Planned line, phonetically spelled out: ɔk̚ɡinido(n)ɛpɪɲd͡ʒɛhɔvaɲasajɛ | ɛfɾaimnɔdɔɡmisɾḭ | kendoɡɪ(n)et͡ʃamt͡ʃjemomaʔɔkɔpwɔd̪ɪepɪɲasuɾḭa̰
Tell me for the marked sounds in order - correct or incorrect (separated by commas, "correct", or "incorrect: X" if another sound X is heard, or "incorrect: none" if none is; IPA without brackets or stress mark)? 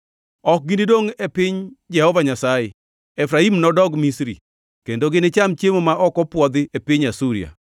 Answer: incorrect: ŋ, correct